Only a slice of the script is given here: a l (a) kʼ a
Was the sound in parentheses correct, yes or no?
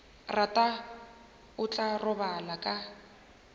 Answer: yes